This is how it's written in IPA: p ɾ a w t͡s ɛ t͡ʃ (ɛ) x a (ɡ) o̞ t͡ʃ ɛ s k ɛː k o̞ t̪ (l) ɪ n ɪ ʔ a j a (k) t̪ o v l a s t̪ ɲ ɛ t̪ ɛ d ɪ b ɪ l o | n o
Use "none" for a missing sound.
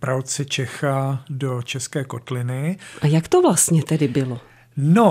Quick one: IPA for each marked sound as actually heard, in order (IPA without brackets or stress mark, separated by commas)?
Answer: ɛ, d, l, k